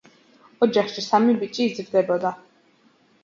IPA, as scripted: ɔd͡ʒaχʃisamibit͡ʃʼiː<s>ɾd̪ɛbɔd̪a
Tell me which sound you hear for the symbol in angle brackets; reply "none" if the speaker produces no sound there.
z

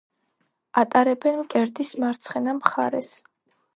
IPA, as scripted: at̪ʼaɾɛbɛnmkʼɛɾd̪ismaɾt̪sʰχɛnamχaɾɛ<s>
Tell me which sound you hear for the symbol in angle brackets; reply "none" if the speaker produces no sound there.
s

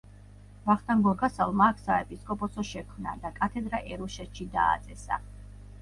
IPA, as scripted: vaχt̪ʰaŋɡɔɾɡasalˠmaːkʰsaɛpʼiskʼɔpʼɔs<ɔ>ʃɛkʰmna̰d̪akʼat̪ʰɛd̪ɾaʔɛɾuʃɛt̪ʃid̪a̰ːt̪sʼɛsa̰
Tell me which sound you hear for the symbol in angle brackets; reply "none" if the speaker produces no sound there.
ɔ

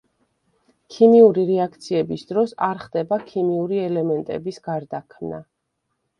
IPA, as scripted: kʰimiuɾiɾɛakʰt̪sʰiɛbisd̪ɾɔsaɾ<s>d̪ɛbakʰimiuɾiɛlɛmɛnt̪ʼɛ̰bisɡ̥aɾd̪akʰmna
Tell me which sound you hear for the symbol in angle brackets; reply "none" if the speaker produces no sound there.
χ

